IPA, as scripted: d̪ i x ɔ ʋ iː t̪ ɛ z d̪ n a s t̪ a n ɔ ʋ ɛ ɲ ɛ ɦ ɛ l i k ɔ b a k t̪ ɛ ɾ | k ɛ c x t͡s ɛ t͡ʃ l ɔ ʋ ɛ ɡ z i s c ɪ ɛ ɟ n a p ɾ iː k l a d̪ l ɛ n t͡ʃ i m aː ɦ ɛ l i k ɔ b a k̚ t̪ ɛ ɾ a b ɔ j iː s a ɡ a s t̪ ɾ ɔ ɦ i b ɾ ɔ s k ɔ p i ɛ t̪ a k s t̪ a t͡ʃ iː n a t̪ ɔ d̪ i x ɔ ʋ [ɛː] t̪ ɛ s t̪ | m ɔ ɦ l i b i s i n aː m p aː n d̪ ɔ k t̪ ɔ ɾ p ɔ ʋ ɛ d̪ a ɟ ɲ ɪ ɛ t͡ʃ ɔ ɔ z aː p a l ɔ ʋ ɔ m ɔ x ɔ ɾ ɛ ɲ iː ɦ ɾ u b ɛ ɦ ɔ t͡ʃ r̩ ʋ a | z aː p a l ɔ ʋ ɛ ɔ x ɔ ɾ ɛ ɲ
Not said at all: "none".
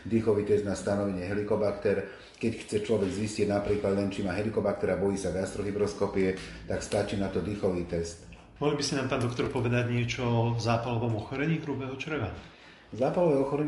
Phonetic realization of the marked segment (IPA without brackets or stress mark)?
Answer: iː